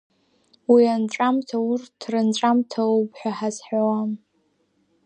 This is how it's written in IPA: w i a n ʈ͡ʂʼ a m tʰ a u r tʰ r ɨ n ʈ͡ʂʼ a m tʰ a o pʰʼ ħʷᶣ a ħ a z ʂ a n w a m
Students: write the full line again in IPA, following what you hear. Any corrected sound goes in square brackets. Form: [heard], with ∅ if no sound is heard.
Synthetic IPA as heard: w i a n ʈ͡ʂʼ a m tʰ a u r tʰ r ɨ n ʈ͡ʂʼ a m tʰ a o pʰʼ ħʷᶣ a ħ a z [ħ] a [∅] w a m